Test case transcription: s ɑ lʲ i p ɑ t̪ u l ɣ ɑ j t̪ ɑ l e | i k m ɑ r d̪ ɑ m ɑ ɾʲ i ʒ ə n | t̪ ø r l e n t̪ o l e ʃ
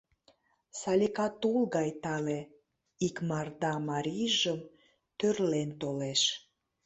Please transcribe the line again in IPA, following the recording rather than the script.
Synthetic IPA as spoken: s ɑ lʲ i k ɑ t̪ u l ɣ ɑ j t̪ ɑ l e | i k m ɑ r d̪ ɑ m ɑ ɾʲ i ʒ ə m | t̪ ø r l e n t̪ o l e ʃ